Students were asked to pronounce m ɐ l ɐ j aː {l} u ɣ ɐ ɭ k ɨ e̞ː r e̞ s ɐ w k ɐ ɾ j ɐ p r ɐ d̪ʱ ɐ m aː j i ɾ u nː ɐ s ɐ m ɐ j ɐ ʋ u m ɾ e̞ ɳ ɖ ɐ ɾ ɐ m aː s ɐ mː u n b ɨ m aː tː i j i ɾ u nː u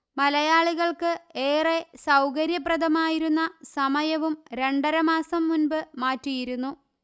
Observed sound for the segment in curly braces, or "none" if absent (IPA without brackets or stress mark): ɭ